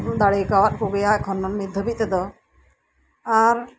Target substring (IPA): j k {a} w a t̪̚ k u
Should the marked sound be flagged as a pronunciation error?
no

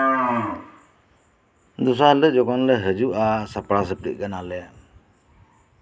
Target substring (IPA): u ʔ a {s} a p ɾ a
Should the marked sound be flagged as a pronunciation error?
no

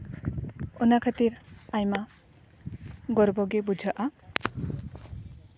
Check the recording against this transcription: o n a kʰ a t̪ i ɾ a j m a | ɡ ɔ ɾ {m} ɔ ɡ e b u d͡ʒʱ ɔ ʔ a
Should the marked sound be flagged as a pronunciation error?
yes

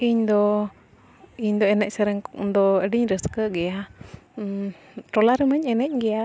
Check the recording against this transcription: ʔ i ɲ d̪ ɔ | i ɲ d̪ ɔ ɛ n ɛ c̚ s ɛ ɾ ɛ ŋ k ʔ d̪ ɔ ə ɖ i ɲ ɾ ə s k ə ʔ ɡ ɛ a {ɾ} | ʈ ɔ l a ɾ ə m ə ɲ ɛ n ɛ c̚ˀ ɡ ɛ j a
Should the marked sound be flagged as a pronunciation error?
yes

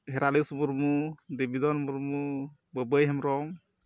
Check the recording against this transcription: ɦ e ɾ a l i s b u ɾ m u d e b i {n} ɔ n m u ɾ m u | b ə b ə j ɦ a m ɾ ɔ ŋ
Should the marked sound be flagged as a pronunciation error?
yes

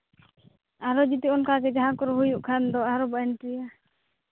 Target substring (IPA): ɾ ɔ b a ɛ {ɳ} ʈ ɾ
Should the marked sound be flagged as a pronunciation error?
yes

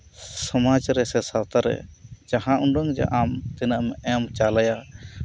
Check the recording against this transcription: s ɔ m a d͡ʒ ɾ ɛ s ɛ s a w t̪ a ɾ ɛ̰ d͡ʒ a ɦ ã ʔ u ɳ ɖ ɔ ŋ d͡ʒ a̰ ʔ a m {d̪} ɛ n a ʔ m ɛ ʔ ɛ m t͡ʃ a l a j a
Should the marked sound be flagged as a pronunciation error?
yes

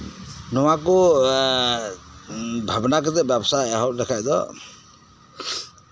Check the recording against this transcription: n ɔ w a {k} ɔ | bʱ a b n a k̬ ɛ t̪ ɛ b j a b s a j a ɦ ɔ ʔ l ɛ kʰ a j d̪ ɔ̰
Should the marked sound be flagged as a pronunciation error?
no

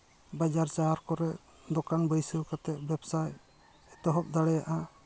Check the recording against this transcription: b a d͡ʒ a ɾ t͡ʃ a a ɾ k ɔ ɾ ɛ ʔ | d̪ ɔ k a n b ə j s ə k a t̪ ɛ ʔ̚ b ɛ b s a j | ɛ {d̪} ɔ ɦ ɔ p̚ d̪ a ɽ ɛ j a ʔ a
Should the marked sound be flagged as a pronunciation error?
yes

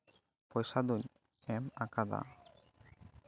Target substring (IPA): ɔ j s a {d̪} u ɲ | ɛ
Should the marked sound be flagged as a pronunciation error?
no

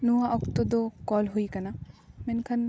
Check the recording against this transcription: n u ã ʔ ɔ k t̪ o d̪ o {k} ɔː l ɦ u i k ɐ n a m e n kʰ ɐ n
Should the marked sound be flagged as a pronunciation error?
no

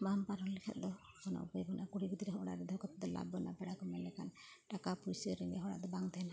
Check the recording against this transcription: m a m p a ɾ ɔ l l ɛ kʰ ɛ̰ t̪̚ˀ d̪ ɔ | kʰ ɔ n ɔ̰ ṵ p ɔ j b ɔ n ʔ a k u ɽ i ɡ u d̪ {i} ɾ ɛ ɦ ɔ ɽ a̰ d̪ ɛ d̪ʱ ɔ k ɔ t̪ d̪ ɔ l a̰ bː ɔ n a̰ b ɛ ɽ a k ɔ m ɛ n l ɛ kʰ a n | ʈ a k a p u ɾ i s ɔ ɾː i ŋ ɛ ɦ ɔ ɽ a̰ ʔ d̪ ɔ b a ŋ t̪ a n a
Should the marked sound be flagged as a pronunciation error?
no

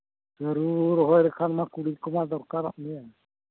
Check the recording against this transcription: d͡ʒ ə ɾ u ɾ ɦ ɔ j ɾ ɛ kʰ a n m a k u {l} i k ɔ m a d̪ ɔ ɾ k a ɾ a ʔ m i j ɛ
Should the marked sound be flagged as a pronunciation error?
yes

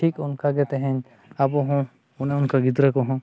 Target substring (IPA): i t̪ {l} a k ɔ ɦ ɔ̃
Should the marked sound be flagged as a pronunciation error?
yes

